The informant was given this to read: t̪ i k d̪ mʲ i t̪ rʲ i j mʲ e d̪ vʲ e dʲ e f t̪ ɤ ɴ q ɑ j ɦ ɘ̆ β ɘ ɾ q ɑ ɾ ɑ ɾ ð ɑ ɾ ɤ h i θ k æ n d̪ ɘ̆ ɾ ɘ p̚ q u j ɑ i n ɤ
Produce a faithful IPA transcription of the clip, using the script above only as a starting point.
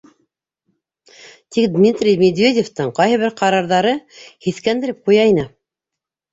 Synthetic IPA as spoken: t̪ i k d̪ mʲ i t̪ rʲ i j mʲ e d̪ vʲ e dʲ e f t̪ ɤ ɴ q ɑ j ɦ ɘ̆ β ɘ ɾ q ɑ ɾ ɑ ɾ ð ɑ ɾ ɤ h i θ k æ n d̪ ɘ̆ ɾ ɘ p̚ q u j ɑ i n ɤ